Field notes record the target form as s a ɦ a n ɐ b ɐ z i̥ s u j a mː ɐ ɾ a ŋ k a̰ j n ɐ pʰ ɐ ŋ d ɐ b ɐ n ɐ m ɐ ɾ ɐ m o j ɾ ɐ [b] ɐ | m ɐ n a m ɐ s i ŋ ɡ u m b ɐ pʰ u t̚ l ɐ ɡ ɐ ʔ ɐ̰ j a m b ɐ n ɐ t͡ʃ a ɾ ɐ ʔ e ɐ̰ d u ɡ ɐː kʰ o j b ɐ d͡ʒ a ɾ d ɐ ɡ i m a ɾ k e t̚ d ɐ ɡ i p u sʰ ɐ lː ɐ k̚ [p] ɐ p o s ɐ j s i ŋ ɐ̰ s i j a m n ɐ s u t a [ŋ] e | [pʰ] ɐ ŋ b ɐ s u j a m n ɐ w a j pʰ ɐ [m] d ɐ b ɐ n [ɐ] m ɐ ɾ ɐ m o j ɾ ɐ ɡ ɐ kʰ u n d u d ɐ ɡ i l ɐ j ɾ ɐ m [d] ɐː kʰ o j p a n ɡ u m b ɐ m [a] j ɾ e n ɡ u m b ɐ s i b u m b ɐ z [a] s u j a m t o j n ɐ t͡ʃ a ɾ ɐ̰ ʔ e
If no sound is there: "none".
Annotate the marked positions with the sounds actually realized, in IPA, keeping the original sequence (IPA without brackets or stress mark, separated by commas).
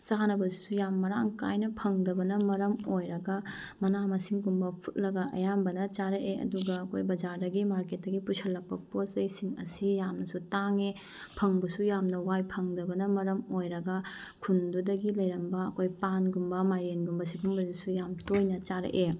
ɡ, p, ŋ, pʰ, ŋ, ɐ, b, a, i